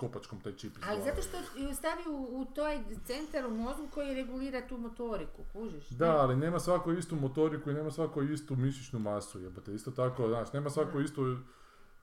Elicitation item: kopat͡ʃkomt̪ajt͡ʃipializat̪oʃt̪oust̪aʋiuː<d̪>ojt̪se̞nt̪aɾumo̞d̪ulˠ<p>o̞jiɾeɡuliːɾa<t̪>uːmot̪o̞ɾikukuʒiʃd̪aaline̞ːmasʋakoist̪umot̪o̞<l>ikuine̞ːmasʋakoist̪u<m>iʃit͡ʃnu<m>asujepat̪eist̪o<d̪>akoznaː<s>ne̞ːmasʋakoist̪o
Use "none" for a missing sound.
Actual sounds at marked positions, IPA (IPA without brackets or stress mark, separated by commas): t̪, k, t̪, ɾ, m, m, t̪, ʃ